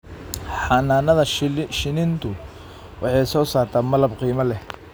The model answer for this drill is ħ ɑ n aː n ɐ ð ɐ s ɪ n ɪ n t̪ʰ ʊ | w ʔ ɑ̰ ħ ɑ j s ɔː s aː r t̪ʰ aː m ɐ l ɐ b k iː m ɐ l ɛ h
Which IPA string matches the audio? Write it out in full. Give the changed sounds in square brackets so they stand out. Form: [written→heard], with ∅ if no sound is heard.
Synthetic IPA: ħ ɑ n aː n ɐ ð ɐ [s→ʃ] ɪ n ɪ n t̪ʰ ʊ | w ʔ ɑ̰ ħ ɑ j s ɔː s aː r t̪ʰ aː m ɐ l ɐ b [k→q] iː m ɐ l ɛ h